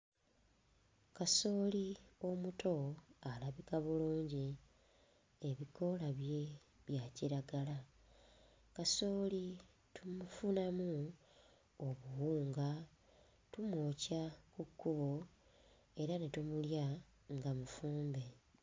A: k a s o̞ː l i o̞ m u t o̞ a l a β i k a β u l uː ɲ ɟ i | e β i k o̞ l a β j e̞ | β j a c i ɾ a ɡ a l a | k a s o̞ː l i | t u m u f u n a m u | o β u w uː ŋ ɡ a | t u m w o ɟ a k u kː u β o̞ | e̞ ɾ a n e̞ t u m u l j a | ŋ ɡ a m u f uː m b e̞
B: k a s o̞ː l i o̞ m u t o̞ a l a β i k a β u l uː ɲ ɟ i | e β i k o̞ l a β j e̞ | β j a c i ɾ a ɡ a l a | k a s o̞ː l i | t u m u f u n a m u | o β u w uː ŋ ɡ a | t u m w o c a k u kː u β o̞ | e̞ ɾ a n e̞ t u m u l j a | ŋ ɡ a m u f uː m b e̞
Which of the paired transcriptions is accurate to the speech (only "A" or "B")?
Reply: B